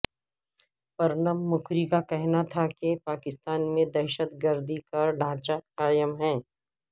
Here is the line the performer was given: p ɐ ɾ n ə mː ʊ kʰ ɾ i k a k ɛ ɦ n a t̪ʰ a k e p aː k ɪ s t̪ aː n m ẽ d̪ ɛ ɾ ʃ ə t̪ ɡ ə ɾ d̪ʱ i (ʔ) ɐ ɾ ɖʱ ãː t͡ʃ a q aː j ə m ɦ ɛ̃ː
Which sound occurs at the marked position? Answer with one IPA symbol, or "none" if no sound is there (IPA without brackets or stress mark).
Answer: k